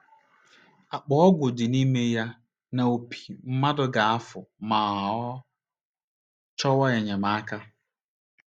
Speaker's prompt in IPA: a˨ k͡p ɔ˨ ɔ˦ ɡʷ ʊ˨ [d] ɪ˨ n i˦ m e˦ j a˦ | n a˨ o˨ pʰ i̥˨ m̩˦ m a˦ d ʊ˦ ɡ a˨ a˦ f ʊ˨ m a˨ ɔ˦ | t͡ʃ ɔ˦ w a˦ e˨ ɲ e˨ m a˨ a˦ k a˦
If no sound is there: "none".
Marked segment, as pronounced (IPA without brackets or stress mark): d